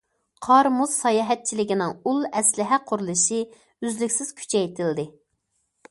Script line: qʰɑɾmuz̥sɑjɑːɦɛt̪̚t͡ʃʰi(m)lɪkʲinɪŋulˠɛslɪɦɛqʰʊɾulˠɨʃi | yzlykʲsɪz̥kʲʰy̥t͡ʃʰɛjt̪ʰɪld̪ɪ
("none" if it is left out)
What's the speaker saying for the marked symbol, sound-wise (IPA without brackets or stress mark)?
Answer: none